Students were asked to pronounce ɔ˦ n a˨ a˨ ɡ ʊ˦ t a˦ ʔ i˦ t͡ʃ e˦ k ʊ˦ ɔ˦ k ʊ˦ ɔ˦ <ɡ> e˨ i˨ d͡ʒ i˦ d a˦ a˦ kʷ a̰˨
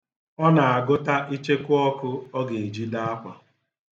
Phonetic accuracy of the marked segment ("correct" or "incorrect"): correct